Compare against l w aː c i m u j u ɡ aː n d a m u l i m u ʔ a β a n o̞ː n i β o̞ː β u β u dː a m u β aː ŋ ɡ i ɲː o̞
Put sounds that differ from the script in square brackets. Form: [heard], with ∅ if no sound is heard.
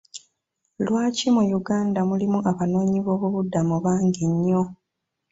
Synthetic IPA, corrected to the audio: l w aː c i m u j u ɡ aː n d a m u l i m u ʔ a β a n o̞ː [ɲ] i β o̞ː β u β u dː a m u β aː ŋ ɡ i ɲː o̞